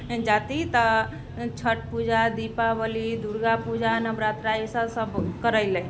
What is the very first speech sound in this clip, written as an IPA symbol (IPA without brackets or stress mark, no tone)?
d͡ʒ